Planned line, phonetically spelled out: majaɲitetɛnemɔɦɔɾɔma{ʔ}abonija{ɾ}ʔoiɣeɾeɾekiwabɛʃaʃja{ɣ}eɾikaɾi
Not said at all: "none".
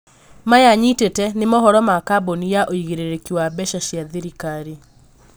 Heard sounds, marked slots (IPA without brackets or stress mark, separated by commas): k, none, ð